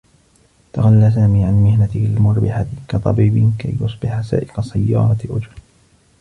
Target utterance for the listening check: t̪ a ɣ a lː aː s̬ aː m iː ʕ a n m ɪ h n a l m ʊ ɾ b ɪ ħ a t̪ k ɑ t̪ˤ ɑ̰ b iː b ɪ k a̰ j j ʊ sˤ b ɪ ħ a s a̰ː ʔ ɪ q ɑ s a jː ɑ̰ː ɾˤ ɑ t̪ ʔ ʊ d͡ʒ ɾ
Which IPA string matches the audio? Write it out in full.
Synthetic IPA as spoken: t̪ a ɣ a lː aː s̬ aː m iː ʕ a n m ɪ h n a l m ʊ ɾ b ɪ ħ a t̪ k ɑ t̪ˤ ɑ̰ b iː b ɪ k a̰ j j ʊ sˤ b ɪ ħ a s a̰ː ʔ ɪ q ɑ s a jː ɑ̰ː ɾˤ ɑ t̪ ʔ ʊ d͡ʒ ɾ